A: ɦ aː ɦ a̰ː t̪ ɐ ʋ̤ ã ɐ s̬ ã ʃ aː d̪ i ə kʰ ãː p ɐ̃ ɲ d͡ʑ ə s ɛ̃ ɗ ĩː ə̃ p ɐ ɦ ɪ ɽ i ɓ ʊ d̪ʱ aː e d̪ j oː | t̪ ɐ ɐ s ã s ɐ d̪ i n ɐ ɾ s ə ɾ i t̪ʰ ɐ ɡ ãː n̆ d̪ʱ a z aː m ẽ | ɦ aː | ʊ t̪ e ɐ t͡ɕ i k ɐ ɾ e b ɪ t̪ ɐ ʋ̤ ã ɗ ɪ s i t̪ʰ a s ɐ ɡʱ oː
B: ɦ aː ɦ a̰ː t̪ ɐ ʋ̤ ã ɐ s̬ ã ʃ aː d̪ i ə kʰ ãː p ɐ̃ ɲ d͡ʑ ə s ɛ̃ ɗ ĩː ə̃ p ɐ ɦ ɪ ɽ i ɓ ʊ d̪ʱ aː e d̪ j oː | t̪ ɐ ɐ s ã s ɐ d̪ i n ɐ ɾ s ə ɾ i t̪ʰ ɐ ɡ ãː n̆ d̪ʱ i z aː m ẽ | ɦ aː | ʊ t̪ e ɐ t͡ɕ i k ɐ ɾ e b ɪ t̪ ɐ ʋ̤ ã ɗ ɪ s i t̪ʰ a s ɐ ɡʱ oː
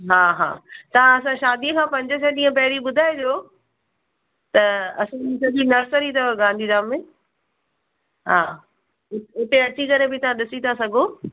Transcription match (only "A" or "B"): B